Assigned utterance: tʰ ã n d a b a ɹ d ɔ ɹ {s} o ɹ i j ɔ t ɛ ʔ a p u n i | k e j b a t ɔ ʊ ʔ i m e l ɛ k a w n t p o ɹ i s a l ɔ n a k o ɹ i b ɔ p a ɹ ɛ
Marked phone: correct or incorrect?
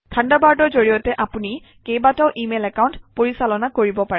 incorrect